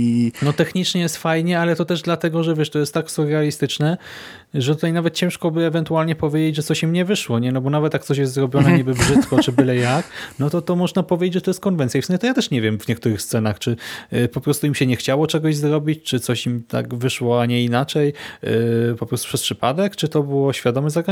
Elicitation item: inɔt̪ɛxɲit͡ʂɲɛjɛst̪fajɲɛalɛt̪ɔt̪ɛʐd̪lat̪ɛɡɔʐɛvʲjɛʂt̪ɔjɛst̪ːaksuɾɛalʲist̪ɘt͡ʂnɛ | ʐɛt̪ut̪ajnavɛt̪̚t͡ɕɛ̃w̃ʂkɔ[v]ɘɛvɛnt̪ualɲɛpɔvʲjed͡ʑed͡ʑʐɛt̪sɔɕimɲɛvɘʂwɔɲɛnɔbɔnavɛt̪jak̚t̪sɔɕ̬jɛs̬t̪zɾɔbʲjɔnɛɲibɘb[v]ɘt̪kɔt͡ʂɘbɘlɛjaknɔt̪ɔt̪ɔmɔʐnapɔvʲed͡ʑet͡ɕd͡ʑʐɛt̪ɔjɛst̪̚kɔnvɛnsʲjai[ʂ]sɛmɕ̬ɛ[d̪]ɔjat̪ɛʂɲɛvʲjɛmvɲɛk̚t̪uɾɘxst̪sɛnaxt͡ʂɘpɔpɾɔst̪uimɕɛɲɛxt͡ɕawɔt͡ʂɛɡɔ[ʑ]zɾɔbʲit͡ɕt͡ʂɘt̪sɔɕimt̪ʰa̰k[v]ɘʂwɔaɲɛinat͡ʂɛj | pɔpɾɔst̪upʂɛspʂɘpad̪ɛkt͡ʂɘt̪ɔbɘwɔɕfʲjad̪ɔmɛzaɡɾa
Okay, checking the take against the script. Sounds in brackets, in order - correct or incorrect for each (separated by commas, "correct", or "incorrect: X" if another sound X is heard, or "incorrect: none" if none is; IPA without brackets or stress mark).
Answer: incorrect: b, incorrect: ʐ, incorrect: f, incorrect: t̪, correct, correct